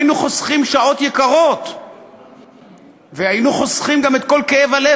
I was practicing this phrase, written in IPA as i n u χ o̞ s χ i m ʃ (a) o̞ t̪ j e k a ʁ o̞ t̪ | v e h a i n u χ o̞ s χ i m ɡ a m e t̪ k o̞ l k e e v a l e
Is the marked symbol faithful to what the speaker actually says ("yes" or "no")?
yes